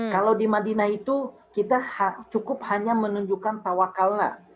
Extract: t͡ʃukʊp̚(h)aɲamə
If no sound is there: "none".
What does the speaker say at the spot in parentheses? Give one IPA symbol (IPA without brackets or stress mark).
h